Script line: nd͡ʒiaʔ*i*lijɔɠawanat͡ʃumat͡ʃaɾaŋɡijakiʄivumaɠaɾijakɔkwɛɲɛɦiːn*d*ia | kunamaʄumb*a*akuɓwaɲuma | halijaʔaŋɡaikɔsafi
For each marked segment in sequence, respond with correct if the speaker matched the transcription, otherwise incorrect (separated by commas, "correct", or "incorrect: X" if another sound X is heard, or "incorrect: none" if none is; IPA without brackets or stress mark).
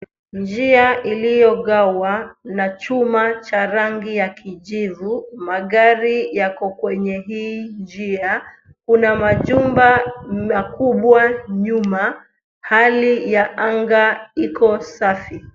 correct, incorrect: d͡ʒ, correct